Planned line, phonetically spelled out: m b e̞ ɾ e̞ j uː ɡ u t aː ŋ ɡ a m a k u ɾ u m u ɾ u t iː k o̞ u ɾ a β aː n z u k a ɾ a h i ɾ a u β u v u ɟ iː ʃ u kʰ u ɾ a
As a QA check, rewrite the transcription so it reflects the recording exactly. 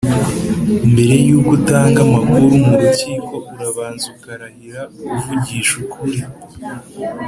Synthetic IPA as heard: m b e̞ ɾ e̞ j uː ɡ u t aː ŋ ɡ a m a k u ɾ u m u ɾ u c iː k o̞ u ɾ a β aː n z u k a ɾ a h i ɾ a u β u v u ɟ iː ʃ u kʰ u ɾ i